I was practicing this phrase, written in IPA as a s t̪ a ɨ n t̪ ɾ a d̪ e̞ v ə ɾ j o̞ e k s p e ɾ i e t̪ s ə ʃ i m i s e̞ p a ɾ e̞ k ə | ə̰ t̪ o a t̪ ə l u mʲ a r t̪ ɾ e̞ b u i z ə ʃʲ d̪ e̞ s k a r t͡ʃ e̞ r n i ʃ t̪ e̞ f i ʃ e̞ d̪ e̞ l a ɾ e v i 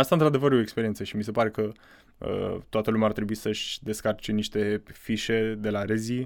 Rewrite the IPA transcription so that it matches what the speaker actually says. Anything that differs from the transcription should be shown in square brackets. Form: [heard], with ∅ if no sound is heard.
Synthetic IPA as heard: a s t̪ a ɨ n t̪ ɾ a d̪ e̞ v ə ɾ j o̞ e k s p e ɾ i e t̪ s ə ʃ i m i s e̞ p a ɾ e̞ k ə | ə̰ t̪ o a t̪ ə l u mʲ a r t̪ ɾ e̞ b u i [s] ə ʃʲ d̪ e̞ s k a r t͡ʃ e̞ [∅] n i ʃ t̪ e̞ f i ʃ e̞ d̪ e̞ l a ɾ e [z] i